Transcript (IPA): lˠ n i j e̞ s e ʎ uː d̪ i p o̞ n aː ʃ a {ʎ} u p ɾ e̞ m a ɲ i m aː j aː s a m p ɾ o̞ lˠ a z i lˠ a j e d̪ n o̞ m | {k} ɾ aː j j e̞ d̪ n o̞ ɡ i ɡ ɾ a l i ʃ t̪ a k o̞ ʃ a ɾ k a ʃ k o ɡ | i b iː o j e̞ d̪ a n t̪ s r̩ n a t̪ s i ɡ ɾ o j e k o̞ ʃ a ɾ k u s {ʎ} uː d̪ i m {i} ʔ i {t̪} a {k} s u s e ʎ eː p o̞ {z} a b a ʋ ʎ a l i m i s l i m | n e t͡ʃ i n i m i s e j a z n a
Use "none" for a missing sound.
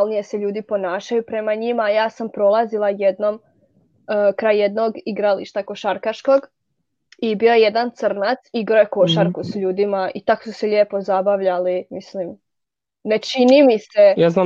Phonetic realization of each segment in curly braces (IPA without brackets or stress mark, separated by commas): j, k, ʎ, a, t̪, k, z